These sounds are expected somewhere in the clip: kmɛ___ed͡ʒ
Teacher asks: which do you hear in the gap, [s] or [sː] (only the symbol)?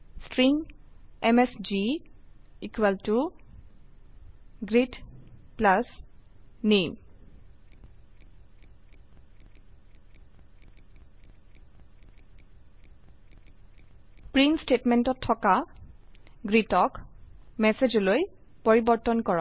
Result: s